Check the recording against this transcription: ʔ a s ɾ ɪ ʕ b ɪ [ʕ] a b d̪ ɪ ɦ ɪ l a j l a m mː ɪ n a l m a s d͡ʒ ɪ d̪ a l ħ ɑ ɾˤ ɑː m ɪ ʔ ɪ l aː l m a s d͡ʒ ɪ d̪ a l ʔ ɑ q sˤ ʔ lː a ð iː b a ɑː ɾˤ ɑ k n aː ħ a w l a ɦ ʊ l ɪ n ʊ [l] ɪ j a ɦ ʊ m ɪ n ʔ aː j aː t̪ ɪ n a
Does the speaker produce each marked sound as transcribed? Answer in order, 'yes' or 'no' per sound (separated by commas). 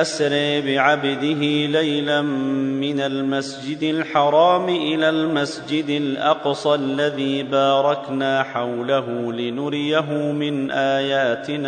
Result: yes, no